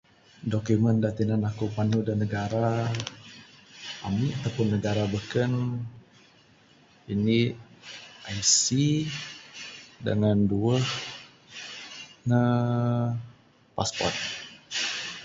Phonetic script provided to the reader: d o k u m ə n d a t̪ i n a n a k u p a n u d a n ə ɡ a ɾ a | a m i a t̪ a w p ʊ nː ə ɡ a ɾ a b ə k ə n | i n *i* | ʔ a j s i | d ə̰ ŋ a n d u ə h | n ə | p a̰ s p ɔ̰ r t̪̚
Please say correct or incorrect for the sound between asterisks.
correct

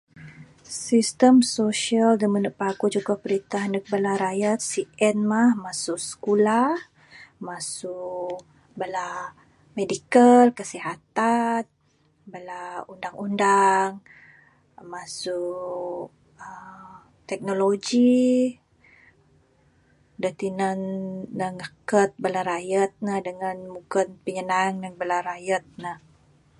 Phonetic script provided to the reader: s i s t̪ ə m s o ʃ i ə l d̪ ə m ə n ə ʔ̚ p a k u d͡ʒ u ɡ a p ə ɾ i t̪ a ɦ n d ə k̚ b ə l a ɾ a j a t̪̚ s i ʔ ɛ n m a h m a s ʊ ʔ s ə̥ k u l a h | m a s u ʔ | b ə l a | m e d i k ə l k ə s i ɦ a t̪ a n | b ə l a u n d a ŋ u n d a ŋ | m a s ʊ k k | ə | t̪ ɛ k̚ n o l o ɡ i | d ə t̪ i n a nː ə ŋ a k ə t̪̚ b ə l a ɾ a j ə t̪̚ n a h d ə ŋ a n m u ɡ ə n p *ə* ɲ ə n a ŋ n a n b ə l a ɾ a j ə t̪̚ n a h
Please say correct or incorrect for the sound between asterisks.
correct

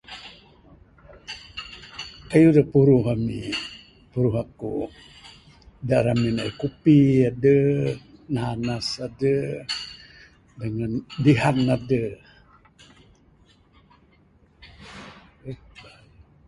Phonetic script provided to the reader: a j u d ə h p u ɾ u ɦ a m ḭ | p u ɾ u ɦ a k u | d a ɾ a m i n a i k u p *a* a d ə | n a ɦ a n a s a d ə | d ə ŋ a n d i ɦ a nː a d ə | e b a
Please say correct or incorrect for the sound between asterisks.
incorrect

